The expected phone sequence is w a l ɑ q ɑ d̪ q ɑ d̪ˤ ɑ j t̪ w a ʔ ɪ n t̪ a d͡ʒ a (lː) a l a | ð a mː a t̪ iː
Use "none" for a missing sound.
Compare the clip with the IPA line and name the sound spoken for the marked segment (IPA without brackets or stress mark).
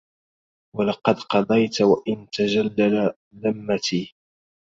lː